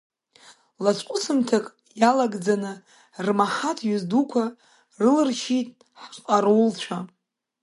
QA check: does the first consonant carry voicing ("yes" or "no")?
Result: yes